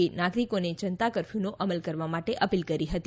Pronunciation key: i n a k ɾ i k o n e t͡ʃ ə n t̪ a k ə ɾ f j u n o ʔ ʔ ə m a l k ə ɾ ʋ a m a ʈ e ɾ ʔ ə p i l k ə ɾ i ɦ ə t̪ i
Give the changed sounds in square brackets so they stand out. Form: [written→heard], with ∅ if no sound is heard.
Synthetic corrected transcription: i n a [k→ɡ] ɾ i k o n e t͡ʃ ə n t̪ a k ə ɾ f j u n o ʔ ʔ ə m [a→ə] l k ə ɾ ʋ a m a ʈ e [ɾ→∅] ʔ ə p i l k ə ɾ i ɦ ə t̪ i